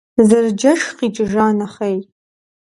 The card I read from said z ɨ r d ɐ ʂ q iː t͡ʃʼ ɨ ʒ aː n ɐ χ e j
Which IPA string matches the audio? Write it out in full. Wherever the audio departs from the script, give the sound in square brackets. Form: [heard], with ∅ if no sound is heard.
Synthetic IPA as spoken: z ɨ r [d͡ʒ] ɐ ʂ q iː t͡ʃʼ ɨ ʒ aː n ɐ χ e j